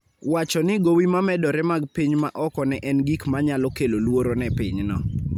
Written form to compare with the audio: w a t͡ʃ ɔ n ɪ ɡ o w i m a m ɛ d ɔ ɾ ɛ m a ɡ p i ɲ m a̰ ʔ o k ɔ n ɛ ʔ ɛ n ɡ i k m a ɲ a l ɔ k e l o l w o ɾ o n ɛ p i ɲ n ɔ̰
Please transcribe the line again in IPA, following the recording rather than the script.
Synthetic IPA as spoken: w a t͡ʃ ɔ n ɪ ɡ o w i m a m ɛ d ɔ ɾ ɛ m a ɡ p i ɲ m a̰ ʔ ɔ k ɔ n ɛ ʔ ɛ n ɡ i k m a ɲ a l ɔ k e l o l w o ɾ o n ɛ p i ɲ n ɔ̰